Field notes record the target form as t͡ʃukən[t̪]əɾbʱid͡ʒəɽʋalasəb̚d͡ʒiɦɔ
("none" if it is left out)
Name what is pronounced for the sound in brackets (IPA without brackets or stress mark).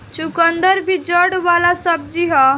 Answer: d̪